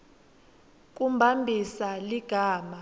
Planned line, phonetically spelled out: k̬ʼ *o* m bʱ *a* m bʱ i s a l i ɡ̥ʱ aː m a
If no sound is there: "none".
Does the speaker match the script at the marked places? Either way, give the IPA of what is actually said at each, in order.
u, a

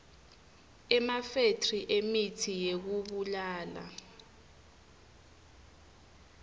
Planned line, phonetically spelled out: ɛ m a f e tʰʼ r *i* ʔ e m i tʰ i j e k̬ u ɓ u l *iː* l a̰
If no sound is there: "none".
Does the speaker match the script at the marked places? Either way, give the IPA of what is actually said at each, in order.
i, aː

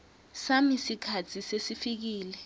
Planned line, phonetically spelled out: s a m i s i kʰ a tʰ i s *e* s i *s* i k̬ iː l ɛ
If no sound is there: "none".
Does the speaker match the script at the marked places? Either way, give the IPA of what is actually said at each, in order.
e, f

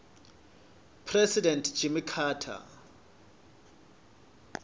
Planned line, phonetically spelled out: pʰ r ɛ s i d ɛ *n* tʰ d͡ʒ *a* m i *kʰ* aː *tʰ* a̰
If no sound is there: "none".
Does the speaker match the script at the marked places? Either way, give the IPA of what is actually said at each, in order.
n, i, kʰ, tʰ

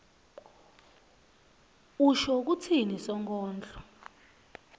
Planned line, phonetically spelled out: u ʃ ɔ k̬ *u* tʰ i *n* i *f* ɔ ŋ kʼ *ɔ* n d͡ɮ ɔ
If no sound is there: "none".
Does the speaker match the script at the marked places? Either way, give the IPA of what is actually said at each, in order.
u, n, s, ɔː

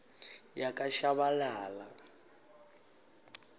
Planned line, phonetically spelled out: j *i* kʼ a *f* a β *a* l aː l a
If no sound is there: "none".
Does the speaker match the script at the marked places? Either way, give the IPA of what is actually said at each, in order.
a, ʃ, a

